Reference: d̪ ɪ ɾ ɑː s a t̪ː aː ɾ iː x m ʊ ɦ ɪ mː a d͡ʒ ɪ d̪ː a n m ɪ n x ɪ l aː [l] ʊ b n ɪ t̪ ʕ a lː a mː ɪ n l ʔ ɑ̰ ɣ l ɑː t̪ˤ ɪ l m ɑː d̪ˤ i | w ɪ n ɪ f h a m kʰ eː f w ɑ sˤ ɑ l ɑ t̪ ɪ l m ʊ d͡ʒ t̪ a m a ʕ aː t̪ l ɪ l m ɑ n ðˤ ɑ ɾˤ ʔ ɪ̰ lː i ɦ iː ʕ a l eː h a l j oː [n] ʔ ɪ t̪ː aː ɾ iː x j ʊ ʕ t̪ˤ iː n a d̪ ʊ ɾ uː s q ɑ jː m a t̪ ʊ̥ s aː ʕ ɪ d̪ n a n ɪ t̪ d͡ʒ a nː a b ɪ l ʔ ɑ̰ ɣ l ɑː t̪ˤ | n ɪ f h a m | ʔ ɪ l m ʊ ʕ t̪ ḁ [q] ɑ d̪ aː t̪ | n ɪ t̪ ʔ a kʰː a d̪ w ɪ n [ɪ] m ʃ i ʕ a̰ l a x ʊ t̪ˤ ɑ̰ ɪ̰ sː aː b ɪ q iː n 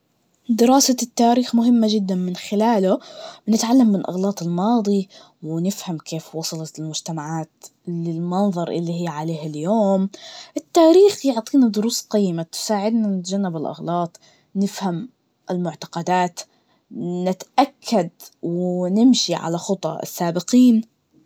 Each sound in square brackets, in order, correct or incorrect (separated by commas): correct, incorrect, correct, correct